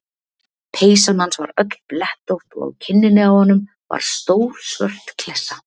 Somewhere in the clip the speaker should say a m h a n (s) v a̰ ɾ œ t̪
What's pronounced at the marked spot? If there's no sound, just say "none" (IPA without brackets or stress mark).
s